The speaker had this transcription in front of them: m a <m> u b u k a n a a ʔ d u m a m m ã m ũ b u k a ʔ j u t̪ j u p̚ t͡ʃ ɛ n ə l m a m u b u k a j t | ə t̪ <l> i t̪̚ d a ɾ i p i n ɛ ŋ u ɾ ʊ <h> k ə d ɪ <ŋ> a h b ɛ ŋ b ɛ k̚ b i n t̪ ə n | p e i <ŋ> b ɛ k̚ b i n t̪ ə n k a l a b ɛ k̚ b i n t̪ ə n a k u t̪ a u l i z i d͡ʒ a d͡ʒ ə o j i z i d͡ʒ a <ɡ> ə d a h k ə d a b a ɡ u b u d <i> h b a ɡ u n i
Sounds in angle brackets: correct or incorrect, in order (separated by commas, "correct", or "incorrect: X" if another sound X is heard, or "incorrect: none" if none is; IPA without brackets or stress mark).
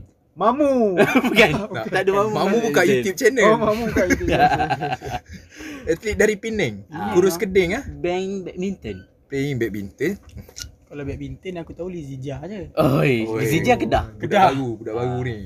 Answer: correct, correct, incorrect: s, correct, correct, incorrect: k, incorrect: a